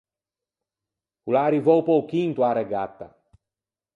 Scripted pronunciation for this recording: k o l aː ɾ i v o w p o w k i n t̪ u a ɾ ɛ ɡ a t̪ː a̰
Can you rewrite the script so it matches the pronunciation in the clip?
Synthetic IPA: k u l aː ɾ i v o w p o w k i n t̪ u a ɾ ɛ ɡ a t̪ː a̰